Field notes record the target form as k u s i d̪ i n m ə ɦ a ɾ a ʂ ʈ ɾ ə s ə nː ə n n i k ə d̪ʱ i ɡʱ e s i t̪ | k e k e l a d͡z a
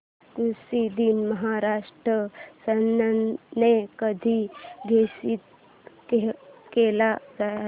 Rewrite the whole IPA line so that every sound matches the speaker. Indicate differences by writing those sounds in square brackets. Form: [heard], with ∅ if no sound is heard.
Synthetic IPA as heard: k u s i d̪ i n m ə ɦ a ɾ a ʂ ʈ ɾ ə s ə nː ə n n [e] k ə d̪ʱ i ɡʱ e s i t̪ | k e k e l a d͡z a